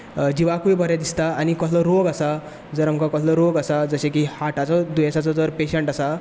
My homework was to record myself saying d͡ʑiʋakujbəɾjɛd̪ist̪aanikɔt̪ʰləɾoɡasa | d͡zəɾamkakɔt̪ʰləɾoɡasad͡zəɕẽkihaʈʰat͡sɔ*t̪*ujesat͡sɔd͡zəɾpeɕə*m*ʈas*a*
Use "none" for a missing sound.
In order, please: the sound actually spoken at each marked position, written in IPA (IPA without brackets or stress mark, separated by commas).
d̪, ɳ, a